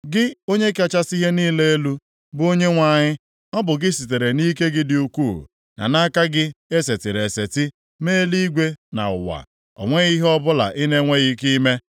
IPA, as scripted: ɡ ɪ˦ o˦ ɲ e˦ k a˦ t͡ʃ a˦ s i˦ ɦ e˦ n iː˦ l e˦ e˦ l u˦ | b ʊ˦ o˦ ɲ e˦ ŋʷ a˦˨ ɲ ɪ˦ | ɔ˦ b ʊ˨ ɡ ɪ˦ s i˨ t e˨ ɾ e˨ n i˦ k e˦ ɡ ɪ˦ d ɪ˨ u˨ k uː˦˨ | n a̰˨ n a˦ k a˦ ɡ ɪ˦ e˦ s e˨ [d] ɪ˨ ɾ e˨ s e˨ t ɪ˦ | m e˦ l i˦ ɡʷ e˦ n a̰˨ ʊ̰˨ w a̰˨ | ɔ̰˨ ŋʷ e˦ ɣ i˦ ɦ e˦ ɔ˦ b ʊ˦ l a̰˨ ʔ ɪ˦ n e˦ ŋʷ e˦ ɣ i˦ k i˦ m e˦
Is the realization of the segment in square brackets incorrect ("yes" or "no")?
yes